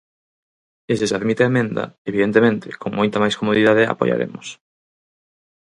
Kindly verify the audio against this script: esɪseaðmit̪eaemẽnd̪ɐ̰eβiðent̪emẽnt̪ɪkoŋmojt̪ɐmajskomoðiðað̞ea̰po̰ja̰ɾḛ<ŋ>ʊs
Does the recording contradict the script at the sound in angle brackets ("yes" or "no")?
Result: yes